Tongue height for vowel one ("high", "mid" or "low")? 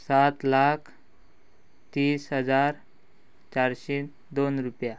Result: low